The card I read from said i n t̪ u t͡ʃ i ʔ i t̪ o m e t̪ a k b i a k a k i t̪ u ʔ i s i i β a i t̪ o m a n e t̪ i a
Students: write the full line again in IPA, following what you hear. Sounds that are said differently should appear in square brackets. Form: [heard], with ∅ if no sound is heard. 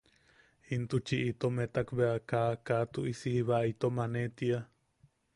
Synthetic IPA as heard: i n t̪ u t͡ʃ i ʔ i t̪ o m e t̪ a k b [e] a k a k [a] t̪ u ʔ i s i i β a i t̪ o m a n e t̪ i a